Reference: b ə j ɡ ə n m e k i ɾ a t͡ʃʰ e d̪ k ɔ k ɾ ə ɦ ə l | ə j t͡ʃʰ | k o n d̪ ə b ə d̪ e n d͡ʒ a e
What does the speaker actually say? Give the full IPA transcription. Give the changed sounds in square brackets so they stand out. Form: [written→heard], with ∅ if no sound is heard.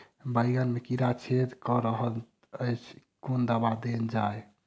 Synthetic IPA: b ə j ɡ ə n m e k i ɾ a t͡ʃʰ e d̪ k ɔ [k→∅] ɾ ə ɦ ə l | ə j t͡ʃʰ | k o n d̪ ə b [ə→a] d̪ e n d͡ʒ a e